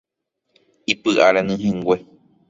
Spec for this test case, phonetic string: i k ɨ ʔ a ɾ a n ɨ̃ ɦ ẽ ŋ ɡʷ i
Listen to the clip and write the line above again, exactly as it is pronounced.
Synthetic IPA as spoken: i p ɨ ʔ a ɾ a n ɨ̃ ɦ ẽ ŋ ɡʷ e